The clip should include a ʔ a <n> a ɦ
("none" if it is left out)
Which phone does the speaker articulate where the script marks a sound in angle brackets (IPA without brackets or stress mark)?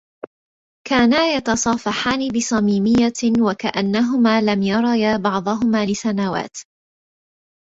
nː